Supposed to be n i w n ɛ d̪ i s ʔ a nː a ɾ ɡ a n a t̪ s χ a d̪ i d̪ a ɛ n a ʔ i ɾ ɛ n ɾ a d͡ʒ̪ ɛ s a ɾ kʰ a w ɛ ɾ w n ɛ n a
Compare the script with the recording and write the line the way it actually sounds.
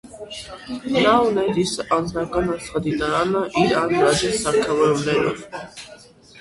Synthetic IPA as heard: n a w n ɛ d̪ i s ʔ a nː a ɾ ɡ a n a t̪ s χ a d̪ i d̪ a a n a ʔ i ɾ a n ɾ a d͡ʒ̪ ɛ s a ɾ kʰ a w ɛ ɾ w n ɛ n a